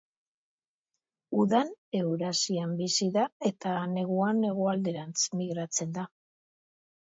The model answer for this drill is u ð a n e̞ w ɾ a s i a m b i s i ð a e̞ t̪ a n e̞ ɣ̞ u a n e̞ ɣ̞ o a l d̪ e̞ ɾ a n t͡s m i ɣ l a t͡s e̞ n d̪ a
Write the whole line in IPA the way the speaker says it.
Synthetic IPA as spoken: u ð a n e̞ w ɾ a s i a m b i s i ð a e̞ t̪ a n e̞ ɣ̞ u a n e̞ ɣ̞ o a l d̪ e̞ ɾ a n t͡s m i ɣ ɾ a t͡s e̞ n d̪ a